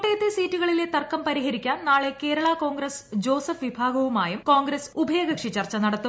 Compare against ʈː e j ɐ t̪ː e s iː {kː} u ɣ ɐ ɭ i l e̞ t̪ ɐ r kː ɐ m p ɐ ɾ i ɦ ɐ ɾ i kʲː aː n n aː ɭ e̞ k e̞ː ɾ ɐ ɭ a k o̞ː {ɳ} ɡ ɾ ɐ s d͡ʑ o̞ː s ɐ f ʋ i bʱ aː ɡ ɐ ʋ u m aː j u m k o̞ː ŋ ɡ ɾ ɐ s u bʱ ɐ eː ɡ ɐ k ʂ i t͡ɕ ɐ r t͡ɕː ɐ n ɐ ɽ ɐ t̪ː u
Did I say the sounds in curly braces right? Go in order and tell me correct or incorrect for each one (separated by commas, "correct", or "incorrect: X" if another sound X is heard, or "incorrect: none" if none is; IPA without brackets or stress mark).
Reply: incorrect: tː, incorrect: ŋ